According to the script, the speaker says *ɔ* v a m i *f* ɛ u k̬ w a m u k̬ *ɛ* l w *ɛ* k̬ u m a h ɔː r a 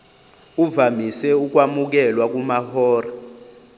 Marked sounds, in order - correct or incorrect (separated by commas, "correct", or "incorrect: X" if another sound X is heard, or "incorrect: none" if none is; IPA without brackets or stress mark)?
incorrect: u, incorrect: s, correct, incorrect: a